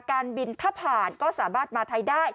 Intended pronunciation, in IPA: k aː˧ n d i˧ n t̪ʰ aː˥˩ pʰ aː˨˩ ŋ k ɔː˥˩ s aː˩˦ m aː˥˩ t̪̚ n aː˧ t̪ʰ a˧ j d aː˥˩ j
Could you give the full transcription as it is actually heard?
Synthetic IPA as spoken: k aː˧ n b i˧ n t̪ʰ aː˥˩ pʰ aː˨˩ n k ɔː˥˩ s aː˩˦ m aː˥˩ t̪̚ m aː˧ t̪ʰ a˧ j d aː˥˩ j